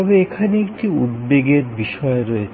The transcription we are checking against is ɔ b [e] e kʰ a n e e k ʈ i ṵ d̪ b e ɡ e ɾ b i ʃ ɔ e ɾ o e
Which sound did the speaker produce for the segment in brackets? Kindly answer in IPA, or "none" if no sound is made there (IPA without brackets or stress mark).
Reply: e